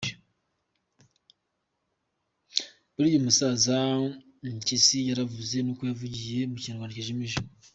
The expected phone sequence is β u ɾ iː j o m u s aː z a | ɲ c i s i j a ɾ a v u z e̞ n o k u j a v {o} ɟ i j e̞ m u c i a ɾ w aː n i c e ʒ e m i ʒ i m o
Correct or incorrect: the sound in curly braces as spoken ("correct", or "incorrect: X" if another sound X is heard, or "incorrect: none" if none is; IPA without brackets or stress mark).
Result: incorrect: u